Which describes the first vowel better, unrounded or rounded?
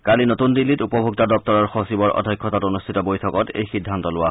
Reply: unrounded